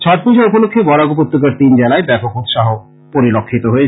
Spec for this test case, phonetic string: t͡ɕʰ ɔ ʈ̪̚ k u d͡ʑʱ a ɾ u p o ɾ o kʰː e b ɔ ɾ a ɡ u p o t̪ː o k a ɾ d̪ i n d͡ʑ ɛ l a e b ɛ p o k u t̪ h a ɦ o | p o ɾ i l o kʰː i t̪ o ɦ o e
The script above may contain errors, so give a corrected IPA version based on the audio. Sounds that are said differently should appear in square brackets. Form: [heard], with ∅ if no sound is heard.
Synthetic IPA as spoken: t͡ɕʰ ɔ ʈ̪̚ [p] u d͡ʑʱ a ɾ u p o [l] o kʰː e b ɔ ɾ a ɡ u p o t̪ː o k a ɾ [t̪] i n d͡ʑ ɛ l a e b ɛ p o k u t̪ [ʃ] a ɦ o | p o ɾ i l o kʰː i t̪ o ɦ o e